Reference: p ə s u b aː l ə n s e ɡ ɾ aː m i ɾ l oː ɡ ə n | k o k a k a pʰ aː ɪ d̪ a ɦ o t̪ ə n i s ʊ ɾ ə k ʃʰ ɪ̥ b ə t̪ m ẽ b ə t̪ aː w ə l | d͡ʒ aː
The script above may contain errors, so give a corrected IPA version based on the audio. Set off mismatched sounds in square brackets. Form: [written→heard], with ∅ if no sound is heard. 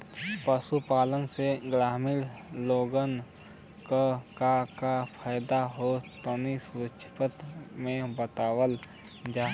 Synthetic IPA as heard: p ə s u [b→p] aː l ə n s e ɡ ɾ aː m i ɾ l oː ɡ ə n | k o k a k a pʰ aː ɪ d̪ a ɦ o t̪ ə n i s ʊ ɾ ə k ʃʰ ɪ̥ [b→p] ə t̪ m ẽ b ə t̪ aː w ə l | d͡ʒ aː